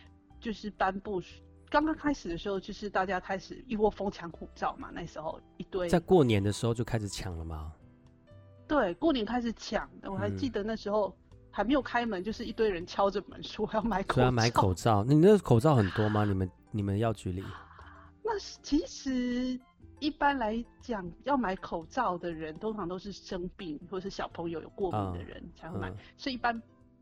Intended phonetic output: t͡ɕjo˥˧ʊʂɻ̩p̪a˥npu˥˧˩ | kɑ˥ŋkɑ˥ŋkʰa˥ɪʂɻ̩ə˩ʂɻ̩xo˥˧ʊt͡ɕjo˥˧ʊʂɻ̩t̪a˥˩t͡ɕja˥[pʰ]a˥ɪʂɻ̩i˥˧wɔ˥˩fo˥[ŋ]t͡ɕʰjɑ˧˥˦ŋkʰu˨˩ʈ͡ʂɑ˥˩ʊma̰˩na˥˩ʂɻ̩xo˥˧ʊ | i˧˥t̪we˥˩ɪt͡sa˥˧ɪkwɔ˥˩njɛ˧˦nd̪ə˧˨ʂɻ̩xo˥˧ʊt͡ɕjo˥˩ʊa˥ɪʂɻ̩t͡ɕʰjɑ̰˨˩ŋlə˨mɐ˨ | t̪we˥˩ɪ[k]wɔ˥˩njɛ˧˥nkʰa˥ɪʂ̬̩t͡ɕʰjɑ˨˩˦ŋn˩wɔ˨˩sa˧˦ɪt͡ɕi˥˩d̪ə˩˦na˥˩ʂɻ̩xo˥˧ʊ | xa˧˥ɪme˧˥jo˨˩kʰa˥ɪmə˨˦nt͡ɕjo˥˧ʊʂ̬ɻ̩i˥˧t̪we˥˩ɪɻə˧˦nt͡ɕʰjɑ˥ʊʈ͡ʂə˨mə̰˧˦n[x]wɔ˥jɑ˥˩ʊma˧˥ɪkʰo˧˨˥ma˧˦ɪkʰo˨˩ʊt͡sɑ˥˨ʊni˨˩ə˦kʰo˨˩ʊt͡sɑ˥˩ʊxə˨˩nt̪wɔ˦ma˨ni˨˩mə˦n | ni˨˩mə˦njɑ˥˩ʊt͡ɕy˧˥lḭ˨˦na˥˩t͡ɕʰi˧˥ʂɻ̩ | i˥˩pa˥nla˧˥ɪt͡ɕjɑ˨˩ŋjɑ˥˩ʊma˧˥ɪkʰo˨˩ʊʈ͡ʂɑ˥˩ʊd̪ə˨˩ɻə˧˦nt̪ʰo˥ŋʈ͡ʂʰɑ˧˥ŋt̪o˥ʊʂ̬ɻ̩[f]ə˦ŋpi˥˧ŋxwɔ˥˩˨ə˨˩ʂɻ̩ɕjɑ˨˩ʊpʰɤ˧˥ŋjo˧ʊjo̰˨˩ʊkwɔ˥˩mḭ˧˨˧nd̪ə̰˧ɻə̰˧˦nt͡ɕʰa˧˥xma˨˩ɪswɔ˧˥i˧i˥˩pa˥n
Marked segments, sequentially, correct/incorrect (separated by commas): incorrect, correct, correct, incorrect, incorrect